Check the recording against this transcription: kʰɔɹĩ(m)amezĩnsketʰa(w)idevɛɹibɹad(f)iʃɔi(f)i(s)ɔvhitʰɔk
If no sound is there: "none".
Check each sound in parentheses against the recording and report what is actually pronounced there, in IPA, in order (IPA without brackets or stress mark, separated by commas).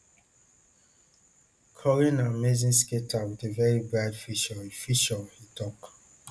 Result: n, w, f, f, ʃ